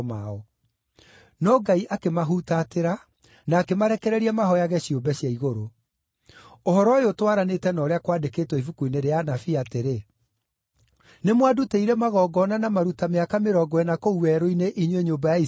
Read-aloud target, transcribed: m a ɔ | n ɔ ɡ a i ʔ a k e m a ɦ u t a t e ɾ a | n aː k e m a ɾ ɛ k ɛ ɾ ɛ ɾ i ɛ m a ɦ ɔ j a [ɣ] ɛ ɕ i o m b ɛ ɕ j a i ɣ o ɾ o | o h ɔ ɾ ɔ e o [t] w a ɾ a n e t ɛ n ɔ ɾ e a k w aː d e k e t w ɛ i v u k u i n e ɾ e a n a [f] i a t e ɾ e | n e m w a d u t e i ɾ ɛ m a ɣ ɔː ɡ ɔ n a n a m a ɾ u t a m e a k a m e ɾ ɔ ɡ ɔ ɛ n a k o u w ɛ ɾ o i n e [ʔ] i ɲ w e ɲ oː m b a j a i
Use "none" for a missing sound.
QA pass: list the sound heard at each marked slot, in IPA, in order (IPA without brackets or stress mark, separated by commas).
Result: ɣ, t, f, ʔ